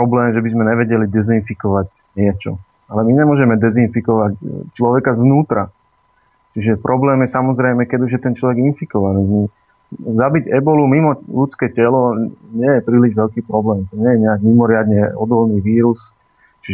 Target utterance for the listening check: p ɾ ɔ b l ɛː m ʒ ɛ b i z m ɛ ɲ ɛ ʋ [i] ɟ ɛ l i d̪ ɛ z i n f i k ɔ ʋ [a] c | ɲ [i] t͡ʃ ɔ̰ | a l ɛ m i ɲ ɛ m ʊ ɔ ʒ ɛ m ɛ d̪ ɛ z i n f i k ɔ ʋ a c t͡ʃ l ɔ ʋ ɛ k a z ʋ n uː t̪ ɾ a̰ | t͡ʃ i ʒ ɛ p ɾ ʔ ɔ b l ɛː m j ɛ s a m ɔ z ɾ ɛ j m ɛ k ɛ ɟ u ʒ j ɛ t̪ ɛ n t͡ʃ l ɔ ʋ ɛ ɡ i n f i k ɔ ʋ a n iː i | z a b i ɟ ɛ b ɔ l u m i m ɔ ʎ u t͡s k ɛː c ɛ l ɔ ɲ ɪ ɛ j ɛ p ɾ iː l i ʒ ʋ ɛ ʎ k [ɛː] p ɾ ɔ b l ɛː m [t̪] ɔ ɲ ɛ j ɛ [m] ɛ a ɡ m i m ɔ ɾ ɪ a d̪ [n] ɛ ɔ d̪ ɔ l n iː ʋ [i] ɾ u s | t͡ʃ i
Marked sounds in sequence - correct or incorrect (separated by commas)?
incorrect, correct, incorrect, incorrect, correct, incorrect, incorrect, incorrect